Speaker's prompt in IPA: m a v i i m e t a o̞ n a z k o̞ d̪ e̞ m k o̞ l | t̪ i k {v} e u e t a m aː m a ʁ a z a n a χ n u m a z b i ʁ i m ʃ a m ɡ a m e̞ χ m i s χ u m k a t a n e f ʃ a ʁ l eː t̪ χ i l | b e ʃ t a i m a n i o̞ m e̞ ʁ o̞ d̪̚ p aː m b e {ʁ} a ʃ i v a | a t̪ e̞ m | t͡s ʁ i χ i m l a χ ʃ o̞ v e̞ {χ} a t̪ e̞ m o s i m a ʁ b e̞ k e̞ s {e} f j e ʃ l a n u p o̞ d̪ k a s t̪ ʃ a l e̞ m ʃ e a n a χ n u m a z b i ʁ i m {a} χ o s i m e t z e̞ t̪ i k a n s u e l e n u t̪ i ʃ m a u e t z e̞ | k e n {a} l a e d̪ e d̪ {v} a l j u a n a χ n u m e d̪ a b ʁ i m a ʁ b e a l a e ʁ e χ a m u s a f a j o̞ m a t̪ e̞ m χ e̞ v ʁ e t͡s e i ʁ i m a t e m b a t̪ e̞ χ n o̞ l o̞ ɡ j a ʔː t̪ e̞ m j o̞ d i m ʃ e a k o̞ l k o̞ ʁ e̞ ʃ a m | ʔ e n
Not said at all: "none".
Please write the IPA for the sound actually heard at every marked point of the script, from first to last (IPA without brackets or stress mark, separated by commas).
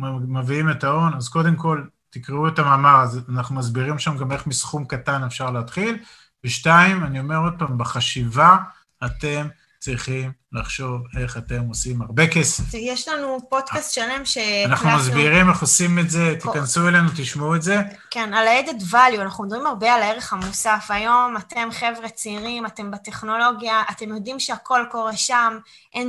ʁ, χ, χ, e, e, a, v